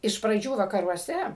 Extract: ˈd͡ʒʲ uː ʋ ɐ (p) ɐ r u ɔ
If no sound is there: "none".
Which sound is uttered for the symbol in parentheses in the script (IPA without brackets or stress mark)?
k